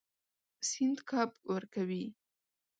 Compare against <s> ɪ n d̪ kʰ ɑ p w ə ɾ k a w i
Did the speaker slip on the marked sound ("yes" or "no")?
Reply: no